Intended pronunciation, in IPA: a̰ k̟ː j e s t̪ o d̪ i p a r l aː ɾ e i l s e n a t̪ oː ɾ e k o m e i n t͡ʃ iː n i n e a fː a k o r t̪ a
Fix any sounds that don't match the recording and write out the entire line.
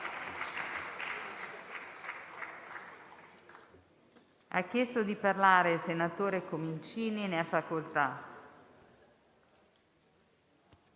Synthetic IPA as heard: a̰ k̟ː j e s t̪ o d̪ i p a r l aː ɾ e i l s e n a t̪ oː ɾ e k o m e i n t͡ʃ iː n i n e a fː a k o l t̪ a